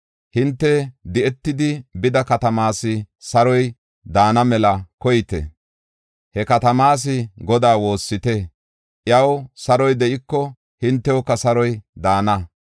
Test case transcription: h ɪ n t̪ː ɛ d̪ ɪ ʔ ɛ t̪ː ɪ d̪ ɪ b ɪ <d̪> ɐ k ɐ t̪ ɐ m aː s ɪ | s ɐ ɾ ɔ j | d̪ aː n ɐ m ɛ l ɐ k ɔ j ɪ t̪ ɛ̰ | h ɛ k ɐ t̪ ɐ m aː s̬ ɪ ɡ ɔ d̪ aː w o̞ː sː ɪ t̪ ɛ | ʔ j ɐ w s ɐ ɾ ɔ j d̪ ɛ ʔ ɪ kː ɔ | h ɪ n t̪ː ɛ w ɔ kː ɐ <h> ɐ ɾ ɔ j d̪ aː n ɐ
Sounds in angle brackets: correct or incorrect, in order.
correct, incorrect

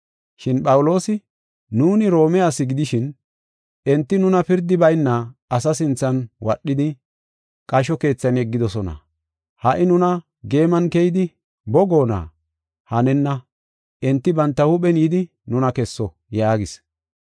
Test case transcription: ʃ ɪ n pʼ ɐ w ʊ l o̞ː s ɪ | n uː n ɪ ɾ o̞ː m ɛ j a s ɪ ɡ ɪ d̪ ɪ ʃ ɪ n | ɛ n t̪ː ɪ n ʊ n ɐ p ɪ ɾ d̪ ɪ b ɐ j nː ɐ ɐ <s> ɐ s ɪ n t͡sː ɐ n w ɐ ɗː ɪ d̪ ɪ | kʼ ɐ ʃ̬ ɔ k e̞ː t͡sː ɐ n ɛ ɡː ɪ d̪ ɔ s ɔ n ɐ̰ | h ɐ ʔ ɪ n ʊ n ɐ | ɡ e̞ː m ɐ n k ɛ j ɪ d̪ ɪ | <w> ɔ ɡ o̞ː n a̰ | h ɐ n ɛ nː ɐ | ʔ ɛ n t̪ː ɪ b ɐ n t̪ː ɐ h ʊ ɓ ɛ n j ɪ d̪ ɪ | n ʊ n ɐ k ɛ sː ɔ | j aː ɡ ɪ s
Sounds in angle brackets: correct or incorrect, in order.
correct, incorrect

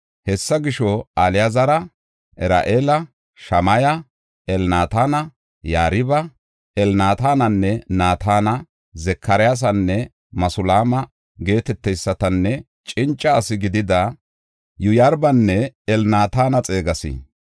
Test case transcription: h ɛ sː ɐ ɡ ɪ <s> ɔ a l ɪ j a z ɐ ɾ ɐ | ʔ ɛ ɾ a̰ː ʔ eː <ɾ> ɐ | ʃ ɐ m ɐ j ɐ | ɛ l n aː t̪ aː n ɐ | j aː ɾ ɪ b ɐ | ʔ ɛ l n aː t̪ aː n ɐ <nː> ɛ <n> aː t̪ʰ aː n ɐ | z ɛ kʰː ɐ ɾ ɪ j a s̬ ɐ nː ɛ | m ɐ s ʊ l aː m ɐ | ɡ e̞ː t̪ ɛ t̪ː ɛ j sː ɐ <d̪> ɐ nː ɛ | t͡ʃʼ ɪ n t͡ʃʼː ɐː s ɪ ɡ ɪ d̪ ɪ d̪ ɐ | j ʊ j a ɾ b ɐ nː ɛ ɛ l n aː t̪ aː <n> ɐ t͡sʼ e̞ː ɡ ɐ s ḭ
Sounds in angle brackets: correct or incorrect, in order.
incorrect, incorrect, correct, correct, incorrect, correct

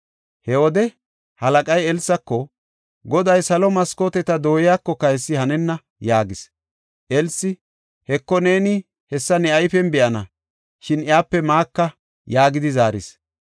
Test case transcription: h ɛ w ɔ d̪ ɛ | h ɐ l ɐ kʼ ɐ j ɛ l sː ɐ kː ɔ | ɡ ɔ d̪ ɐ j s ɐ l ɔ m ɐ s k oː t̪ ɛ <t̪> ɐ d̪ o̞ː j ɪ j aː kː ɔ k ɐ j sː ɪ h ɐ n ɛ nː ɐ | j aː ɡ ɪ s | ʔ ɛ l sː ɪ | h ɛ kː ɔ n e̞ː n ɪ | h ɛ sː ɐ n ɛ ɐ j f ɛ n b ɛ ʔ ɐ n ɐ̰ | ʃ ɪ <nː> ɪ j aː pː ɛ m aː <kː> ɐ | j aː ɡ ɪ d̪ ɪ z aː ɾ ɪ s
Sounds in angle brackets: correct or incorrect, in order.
correct, incorrect, correct

